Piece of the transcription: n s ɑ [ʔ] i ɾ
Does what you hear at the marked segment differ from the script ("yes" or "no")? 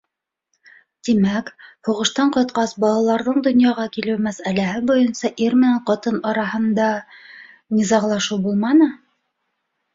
no